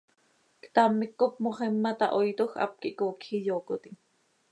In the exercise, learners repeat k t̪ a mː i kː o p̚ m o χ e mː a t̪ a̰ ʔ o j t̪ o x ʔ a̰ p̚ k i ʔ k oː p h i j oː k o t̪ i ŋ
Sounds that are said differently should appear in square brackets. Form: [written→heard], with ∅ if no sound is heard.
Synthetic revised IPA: k t̪ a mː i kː o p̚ m o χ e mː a t̪ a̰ ʔ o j t̪ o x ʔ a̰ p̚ k i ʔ k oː [p→k] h i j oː k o t̪ i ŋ